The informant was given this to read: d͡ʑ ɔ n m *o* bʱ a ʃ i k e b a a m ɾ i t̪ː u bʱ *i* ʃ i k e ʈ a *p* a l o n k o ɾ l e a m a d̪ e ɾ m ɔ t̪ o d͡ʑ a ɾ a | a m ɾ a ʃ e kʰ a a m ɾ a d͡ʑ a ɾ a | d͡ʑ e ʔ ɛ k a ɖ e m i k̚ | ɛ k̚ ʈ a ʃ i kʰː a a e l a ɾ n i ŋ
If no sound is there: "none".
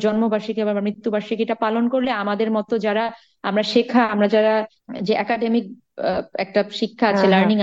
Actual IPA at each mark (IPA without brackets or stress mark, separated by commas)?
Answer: o, a, p